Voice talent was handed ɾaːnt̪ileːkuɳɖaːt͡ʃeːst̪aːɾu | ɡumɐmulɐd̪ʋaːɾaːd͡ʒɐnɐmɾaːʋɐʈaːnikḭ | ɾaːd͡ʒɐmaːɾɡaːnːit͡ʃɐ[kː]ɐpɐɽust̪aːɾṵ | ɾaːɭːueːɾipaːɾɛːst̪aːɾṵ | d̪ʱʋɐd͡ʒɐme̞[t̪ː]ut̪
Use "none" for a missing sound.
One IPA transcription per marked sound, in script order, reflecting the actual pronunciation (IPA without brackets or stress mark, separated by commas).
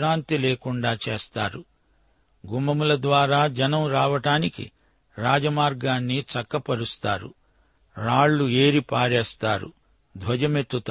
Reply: kː, t̪ː